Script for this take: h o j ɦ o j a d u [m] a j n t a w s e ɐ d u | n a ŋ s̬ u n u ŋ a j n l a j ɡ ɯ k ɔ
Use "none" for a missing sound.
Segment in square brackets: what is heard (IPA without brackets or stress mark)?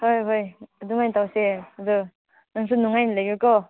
ŋ